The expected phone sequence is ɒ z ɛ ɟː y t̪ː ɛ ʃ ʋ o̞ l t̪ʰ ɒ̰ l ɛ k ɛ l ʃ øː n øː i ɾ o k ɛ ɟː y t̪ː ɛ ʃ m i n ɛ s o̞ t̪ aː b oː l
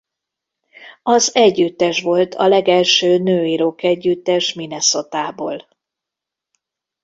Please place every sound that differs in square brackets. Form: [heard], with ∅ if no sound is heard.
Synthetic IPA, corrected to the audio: ɒ z ɛ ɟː y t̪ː ɛ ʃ ʋ o̞ l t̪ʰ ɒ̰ l ɛ [ɡ] ɛ l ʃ øː n øː i ɾ o k ɛ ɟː y t̪ː ɛ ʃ m i n ɛ s o̞ t̪ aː b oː l